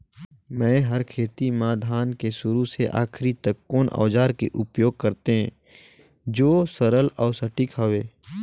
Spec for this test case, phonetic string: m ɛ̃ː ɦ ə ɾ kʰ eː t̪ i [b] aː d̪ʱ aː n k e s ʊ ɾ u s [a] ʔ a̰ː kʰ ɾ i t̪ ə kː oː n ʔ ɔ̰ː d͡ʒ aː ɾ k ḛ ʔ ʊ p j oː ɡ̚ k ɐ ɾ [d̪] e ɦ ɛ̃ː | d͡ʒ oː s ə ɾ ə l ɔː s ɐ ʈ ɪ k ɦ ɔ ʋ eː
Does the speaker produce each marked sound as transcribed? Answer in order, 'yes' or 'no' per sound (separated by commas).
no, no, no